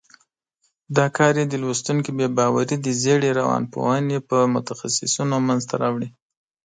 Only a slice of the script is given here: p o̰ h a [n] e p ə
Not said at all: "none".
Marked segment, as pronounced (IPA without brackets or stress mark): n